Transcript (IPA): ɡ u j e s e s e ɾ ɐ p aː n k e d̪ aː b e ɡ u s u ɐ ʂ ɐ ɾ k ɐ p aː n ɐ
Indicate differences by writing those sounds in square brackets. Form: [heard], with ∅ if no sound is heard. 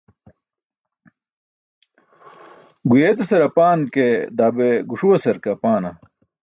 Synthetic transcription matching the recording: ɡ u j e [t͡s] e s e ɾ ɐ p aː n k e d̪ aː b e ɡ u [ʂ] u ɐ [s] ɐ ɾ k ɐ p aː n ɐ